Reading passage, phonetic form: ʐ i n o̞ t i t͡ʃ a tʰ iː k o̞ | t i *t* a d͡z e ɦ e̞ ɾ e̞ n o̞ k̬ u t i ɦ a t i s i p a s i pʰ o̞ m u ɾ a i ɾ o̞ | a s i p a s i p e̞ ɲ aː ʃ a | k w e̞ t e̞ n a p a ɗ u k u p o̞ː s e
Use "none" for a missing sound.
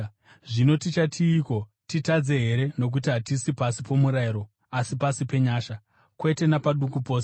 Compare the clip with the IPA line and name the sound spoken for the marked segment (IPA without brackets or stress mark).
t